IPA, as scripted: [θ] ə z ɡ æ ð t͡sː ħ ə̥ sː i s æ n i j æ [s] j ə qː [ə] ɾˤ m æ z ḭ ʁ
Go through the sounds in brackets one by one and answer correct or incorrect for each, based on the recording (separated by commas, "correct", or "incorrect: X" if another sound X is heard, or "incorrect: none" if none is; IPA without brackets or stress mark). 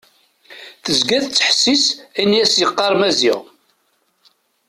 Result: correct, correct, incorrect: ɑ